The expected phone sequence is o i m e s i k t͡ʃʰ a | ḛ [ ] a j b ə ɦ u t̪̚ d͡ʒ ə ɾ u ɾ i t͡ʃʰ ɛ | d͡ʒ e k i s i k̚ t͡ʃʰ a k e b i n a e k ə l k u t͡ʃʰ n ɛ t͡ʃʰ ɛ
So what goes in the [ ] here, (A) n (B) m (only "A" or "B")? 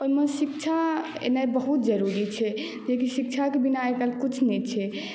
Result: A